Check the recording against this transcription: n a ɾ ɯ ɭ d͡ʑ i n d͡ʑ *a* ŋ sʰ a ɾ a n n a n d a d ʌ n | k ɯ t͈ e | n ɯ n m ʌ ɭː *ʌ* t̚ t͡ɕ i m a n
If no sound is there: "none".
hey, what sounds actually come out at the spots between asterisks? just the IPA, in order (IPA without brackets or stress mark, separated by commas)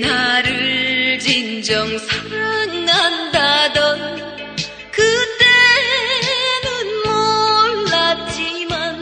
ʌ, a